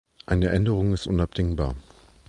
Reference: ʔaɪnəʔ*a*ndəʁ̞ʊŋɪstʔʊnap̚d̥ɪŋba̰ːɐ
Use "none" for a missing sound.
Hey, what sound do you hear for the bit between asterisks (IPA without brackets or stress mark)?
ɛ